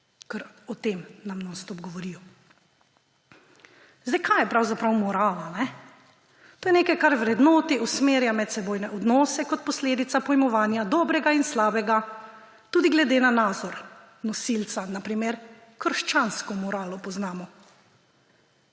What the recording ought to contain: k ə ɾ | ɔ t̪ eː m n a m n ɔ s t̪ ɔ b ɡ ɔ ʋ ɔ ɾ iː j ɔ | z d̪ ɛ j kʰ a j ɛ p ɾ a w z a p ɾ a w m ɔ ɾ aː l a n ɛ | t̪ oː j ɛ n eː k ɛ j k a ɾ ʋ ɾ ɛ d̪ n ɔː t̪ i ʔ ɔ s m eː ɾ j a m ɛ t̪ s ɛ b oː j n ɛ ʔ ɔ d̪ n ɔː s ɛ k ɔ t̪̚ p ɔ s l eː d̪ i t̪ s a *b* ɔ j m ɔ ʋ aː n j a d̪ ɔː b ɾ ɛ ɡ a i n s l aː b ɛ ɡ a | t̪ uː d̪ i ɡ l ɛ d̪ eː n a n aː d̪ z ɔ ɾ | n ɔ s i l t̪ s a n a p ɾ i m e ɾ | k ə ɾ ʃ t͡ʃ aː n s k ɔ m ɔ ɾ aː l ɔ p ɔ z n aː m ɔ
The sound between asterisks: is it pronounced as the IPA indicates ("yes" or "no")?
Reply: no